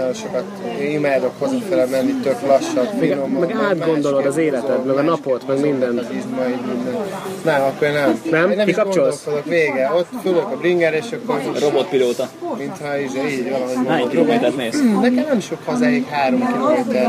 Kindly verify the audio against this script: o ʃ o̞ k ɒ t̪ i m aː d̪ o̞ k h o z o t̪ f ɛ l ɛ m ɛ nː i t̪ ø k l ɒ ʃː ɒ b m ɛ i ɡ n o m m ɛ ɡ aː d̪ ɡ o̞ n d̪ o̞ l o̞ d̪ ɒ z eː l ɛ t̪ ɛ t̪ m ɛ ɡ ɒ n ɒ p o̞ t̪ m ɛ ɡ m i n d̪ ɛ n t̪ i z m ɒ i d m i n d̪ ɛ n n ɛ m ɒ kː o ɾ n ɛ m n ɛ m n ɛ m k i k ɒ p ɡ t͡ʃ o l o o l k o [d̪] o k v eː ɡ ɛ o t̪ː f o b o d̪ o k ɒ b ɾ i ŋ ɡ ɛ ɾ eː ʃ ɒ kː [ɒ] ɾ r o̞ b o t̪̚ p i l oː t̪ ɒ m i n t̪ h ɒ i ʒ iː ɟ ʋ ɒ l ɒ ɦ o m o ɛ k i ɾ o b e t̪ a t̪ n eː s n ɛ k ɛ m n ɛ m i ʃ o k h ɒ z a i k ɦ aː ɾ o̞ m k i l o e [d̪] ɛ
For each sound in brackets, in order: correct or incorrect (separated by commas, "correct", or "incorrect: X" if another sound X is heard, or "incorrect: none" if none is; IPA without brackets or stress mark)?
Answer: correct, incorrect: o, incorrect: t̪